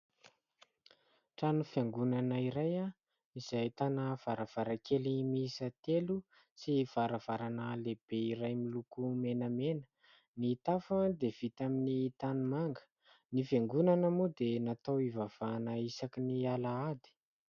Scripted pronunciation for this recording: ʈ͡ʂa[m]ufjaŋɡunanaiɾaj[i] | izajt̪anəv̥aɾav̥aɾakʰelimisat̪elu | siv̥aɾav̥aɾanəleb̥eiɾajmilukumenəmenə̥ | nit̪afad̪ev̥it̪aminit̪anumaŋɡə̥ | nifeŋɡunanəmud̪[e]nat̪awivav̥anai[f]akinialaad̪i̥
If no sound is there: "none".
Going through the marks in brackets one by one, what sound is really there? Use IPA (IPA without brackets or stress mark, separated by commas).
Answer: n, a, e, s